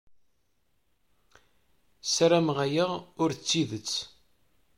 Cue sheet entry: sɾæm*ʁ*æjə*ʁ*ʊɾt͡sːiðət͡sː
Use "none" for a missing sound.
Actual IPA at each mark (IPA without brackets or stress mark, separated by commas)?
ʁ, ʁ